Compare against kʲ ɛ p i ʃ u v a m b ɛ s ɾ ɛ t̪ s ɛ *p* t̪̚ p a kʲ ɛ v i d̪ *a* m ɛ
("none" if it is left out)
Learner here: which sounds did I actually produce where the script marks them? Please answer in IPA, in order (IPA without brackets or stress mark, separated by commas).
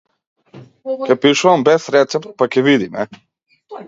p, i